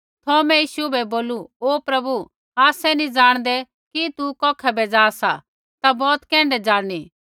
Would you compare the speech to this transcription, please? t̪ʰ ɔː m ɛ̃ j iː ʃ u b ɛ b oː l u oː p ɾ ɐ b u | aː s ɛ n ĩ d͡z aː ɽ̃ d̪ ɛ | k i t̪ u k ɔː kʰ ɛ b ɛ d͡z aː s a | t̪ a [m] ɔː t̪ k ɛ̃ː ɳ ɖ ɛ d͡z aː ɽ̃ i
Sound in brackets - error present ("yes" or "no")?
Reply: yes